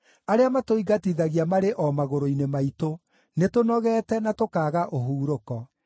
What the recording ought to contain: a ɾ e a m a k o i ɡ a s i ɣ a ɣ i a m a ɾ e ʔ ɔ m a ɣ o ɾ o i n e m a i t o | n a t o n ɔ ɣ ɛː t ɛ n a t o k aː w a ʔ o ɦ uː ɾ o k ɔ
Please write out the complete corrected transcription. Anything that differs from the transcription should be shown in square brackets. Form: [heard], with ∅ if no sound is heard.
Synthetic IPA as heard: a ɾ e a m a [t] o i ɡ a [t] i [ð] a ɣ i a m a ɾ e ʔ ɔ m a ɣ o ɾ o i n e m a i t o | n [e] t o n ɔ ɣ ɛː t ɛ n a t o k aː [ɣ] a ʔ o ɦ uː ɾ o k ɔ